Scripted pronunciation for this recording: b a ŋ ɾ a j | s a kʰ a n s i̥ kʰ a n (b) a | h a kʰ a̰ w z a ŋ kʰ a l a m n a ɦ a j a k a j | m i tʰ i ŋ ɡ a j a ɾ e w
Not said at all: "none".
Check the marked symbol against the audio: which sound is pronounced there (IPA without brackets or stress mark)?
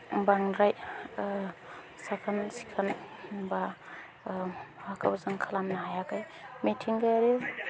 b